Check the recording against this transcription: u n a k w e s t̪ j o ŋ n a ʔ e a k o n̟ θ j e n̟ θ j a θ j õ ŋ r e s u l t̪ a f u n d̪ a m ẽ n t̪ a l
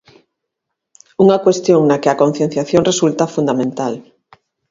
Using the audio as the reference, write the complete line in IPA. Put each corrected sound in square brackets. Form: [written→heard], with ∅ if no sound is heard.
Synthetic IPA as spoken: u [n→ŋ] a k w e s t̪ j o ŋ n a [ʔ→k] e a k o n̟ θ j e n̟ θ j a θ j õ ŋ r e s u l t̪ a f u n d̪ a m ẽ n t̪ a l

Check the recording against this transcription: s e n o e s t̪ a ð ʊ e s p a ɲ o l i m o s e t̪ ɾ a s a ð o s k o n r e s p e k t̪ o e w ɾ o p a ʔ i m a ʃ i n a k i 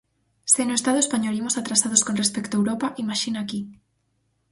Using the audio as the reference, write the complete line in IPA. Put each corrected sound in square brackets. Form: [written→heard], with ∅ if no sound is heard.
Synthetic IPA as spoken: s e n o e s t̪ a ð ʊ e s p a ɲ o l i m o s [e→a] t̪ ɾ a s a ð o s k o n r e s p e k t̪ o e w ɾ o p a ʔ i m a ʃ i n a k i

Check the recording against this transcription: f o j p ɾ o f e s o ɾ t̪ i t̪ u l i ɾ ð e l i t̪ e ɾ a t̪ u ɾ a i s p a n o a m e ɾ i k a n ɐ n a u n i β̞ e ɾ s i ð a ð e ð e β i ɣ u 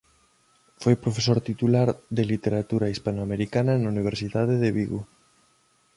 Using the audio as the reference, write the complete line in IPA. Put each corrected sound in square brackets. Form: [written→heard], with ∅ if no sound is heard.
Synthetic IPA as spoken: f o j p ɾ o f e s o ɾ t̪ i t̪ u l [i→a] ɾ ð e l i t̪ e ɾ a t̪ u ɾ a i s p a n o a m e ɾ i k a n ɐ n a u n i β̞ e ɾ s i ð a ð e ð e β i ɣ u

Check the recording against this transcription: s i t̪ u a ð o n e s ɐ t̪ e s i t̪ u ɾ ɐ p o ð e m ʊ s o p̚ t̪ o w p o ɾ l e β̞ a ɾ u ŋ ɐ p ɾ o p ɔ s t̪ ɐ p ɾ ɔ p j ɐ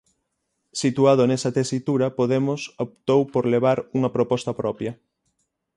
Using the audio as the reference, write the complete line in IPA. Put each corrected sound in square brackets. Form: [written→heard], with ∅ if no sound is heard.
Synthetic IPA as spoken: s i t̪ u a ð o n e s ɐ t̪ e s i t̪ u ɾ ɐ p o ð e m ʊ s o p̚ t̪ o w p o ɾ l e β̞ a ɾ u ŋ ɐ p ɾ o p ɔ s t̪ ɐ p ɾ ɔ p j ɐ

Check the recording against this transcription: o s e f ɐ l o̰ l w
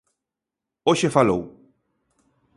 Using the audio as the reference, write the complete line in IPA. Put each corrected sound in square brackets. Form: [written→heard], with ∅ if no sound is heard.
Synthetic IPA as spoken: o [s→ʃ] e f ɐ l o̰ [l→∅] w

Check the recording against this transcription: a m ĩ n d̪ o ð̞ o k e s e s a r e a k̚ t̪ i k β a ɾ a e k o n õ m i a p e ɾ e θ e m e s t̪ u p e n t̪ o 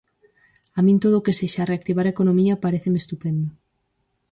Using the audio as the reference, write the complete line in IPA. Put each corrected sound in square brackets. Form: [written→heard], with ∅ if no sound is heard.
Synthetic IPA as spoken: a m ĩ n [d̪→t̪] o ð̞ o k e s e [s→ʃ] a r e a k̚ t̪ i [k→∅] β a ɾ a e k o n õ m i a p [e→a] ɾ e θ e m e s t̪ u p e n [t̪→d̪] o

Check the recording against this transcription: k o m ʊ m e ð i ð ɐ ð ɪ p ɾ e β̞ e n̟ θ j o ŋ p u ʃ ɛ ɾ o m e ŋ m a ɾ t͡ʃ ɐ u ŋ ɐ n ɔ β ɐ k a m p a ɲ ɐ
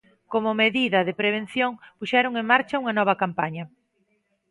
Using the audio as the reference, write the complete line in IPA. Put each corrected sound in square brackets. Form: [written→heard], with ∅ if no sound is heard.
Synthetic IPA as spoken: k o m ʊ m e ð i ð ɐ ð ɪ p ɾ e β̞ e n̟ θ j o ŋ p u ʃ ɛ ɾ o [m→ŋ] e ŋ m a ɾ t͡ʃ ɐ u ŋ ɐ n ɔ β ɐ k a m p a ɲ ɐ

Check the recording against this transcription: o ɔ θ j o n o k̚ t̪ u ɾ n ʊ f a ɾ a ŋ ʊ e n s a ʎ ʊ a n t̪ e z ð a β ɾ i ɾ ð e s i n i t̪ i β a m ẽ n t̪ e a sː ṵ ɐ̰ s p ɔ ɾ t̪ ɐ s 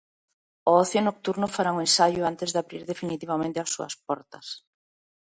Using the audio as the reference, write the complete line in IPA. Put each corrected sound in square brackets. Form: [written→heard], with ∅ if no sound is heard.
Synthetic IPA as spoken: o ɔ θ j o n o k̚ t̪ u ɾ n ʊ f a ɾ a ŋ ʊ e n s a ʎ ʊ a n t̪ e z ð a β ɾ i ɾ ð e [s→f] i n i t̪ i β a m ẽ n t̪ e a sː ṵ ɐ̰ s p ɔ ɾ t̪ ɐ s

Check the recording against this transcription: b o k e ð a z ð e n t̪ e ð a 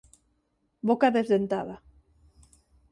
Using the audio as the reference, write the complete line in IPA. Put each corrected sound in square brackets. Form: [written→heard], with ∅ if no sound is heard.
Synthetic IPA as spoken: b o k [e→a] ð [a→e] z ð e n t̪ [e→a] ð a

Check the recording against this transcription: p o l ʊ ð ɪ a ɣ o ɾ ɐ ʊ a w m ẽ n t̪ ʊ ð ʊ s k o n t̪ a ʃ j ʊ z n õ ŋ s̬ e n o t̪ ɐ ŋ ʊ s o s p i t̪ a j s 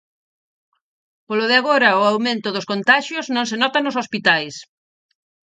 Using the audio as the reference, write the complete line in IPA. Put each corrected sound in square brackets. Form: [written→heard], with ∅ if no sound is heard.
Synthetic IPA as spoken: p o l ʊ ð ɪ a ɣ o ɾ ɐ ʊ a w m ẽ n t̪ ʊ ð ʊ s k o n t̪ a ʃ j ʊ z n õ ŋ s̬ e n [o→ɔ] t̪ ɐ [ŋ→n] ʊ s o s p i t̪ a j s

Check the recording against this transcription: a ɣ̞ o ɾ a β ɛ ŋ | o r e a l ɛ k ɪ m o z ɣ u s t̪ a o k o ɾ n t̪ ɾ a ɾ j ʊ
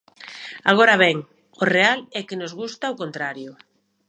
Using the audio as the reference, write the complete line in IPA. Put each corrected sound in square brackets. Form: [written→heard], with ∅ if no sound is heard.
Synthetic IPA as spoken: a ɣ̞ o ɾ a β ɛ ŋ | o r e a l ɛ k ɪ [m→n] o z ɣ u s t̪ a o k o [ɾ→∅] n t̪ ɾ a ɾ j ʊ

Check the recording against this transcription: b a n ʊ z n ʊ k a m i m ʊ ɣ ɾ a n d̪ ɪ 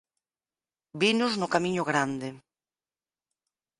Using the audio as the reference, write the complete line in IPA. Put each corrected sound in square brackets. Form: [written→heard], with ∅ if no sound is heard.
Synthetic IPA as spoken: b [a→i] n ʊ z n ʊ k a m i [m→ɲ] ʊ ɣ ɾ a n d̪ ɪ

